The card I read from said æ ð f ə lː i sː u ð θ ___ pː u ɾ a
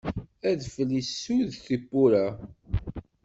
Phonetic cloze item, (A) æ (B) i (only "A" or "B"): B